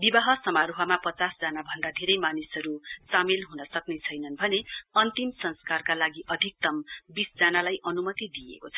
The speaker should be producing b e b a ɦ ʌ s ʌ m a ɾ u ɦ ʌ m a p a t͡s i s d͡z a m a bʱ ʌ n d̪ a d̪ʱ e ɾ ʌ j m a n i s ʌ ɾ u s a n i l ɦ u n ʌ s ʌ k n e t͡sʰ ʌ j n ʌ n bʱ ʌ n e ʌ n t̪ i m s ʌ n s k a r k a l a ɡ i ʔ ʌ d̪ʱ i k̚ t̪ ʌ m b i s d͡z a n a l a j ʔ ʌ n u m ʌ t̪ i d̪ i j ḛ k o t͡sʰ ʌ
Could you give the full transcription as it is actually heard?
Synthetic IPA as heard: b i b a ɦ ʌ s ʌ m a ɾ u ɦ ʌ m a p ʌ t͡s a s d͡z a n a bʱ ʌ n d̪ a d̪ʱ e ɾ ʌ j m a n i s ʌ ɾ u s a m i l ɦ u n ʌ s ʌ k n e t͡sʰ ʌ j n ʌ n bʱ ʌ n e ʌ n t̪ i m s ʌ n s k a r k a l a ɡ i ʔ ʌ d̪ʱ i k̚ t̪ ʌ m b i s d͡z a n a l a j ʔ ʌ n u m ʌ t̪ i d̪ i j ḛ k o t͡sʰ ʌ